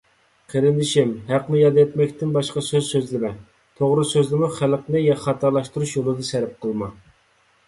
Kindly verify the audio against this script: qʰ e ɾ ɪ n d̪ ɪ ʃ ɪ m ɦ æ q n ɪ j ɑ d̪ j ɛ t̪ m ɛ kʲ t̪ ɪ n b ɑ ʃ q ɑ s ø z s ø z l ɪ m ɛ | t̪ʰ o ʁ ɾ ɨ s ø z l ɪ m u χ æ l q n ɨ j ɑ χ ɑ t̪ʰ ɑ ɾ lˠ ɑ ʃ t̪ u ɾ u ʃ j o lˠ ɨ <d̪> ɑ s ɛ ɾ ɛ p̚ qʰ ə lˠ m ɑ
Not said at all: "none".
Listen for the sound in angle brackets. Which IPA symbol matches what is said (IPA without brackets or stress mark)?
d̪